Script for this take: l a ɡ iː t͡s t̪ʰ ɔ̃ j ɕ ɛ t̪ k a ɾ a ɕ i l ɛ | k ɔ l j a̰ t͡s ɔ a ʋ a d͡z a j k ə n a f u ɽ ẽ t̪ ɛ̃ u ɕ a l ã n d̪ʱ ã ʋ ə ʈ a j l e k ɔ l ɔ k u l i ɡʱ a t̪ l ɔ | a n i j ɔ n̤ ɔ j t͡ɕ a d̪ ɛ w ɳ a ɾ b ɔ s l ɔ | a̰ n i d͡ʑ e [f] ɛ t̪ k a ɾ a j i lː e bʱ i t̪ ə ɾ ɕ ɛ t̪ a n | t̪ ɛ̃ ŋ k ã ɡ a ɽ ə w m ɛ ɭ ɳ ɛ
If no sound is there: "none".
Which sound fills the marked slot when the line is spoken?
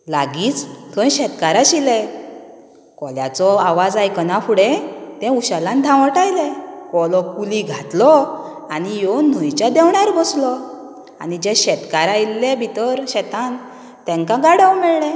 ɕ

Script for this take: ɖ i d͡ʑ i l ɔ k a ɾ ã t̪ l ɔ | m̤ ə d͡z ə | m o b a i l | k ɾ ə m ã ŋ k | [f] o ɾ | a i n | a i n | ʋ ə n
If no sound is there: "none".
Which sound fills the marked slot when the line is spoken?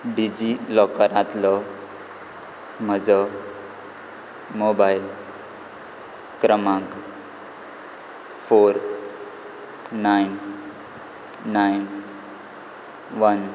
f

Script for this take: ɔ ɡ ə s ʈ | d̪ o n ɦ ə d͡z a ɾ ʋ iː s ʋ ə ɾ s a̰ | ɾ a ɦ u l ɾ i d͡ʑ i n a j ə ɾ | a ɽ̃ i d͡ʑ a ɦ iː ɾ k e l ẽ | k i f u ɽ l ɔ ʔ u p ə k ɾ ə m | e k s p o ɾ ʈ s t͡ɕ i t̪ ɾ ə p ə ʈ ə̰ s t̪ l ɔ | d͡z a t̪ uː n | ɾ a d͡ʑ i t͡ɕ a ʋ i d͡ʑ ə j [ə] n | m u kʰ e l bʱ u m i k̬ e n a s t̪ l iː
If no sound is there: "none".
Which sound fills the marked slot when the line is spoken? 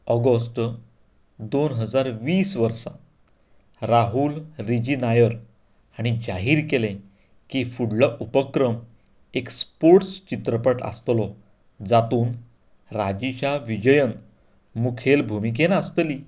ə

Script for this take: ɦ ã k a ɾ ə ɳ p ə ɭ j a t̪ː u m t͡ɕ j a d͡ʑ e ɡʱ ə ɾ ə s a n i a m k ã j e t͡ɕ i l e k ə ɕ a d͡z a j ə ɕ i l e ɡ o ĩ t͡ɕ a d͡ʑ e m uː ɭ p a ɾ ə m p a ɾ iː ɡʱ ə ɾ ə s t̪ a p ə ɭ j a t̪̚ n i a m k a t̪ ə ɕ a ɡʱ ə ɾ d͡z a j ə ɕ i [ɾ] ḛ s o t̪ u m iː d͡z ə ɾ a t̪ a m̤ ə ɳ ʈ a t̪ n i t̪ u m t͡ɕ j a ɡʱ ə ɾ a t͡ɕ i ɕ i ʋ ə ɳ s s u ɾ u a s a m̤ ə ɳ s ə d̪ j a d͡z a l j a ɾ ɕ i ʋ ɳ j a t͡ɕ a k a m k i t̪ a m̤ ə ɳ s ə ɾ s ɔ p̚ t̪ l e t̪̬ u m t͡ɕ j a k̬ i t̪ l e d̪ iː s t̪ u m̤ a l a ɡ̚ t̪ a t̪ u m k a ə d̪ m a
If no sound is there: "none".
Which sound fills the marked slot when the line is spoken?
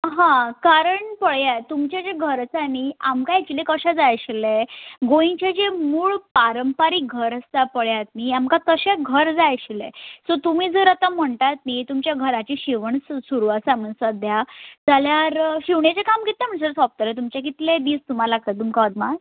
l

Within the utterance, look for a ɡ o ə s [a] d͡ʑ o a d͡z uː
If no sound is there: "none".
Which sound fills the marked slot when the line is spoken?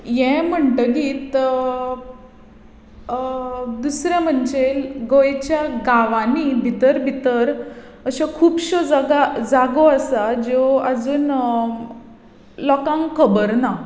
a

